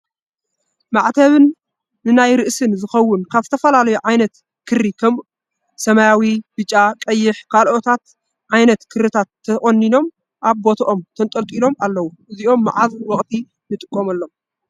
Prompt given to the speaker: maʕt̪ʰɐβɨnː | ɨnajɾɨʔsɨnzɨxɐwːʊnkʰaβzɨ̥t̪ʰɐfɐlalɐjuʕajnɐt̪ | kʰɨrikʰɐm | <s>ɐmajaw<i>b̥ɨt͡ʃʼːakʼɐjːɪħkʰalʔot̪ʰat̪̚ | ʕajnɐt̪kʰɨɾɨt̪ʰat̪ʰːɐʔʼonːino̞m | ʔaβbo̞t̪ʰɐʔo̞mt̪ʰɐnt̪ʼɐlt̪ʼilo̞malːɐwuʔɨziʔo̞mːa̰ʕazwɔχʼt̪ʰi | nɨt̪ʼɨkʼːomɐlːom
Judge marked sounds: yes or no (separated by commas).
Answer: yes, yes